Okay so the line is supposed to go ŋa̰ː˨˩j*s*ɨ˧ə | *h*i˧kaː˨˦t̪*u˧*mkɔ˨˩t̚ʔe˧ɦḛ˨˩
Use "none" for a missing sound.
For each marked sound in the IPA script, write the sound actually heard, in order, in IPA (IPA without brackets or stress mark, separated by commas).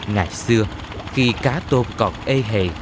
s, x, o˧